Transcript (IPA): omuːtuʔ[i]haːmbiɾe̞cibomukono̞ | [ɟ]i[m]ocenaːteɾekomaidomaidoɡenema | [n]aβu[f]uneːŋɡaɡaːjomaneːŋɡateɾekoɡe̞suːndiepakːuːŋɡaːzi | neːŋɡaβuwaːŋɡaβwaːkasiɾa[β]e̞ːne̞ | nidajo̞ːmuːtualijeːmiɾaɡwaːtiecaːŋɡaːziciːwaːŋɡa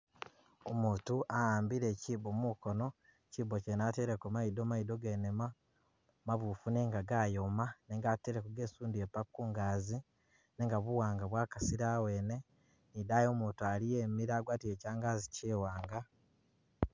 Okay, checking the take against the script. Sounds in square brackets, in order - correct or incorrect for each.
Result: incorrect, incorrect, incorrect, incorrect, correct, incorrect

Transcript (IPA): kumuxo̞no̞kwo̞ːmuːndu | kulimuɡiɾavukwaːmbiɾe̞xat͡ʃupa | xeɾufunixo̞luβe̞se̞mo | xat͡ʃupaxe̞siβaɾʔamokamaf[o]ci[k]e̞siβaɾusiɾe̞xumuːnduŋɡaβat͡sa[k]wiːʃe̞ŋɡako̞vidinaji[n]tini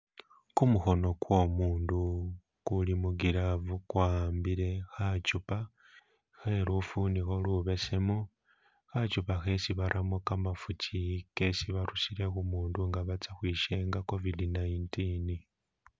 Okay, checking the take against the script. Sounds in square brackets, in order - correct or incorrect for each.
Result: incorrect, correct, incorrect, correct

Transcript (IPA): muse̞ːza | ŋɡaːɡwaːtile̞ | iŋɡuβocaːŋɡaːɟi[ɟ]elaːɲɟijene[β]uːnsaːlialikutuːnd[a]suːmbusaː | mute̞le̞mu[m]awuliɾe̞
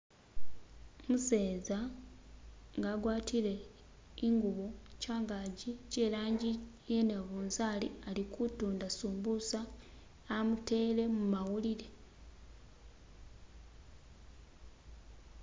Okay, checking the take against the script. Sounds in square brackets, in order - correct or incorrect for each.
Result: incorrect, correct, correct, correct

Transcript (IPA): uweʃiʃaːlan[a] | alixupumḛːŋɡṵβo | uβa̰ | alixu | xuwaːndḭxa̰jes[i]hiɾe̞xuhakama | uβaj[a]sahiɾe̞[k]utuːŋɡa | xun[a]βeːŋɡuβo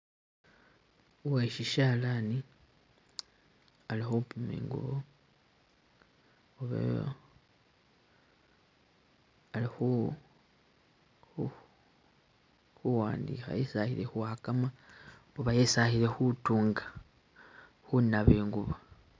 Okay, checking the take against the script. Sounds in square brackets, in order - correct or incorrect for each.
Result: incorrect, incorrect, incorrect, incorrect, correct

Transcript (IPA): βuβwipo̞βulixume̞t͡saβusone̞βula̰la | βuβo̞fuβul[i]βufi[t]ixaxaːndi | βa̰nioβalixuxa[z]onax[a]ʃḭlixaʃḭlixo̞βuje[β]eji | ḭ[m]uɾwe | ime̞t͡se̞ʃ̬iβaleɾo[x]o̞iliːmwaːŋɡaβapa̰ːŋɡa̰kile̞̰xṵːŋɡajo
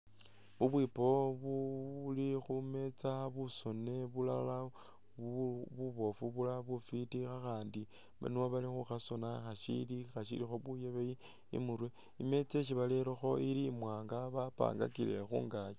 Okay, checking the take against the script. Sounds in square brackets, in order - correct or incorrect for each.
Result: incorrect, correct, incorrect, correct, correct, correct, correct

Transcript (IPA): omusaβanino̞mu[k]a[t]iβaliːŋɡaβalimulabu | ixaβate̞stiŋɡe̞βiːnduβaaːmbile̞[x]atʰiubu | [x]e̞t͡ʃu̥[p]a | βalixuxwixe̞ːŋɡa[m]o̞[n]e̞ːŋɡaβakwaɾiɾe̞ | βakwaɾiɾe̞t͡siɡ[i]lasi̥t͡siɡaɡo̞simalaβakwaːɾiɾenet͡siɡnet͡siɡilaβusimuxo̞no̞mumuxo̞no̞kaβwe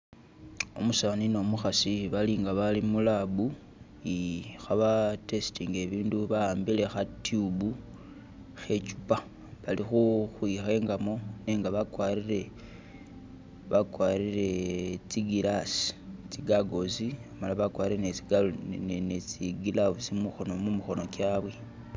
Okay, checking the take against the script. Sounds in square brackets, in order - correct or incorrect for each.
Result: incorrect, incorrect, correct, correct, correct, correct, correct, correct

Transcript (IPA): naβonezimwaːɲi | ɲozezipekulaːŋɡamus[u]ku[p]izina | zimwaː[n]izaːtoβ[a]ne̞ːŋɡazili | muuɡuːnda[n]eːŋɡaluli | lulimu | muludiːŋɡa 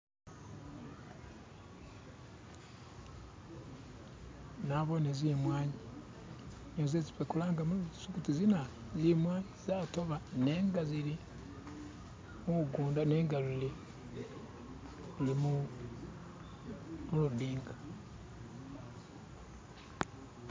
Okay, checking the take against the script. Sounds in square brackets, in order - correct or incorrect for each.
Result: correct, incorrect, incorrect, correct, correct

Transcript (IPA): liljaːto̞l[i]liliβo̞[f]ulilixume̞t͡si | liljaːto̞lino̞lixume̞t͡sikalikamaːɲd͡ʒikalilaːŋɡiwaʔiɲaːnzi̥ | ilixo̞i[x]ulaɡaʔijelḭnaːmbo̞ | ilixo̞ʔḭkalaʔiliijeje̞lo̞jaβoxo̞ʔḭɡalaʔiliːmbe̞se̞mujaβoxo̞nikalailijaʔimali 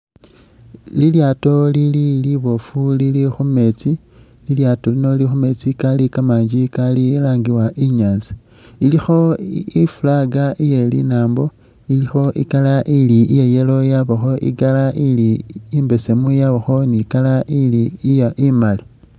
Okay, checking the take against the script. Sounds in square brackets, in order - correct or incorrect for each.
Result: correct, correct, incorrect

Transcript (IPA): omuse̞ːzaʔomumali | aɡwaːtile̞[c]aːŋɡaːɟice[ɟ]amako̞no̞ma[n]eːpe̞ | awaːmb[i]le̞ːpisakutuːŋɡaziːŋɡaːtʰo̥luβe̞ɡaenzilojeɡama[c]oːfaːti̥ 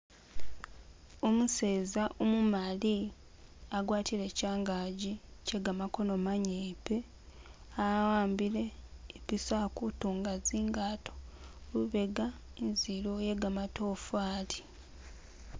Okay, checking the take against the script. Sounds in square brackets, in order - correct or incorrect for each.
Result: correct, incorrect, incorrect, correct, incorrect

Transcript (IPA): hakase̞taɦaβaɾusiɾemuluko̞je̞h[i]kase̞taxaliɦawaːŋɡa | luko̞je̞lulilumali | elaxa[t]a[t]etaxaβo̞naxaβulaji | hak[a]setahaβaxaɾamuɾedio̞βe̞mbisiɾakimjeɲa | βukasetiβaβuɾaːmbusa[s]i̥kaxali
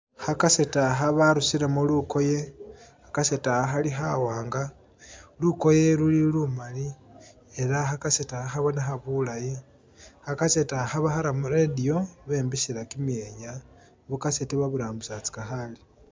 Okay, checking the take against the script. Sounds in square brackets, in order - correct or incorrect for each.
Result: incorrect, incorrect, incorrect, correct, incorrect

